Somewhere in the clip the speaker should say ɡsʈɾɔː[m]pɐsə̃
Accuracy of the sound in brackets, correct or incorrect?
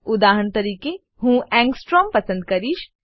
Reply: correct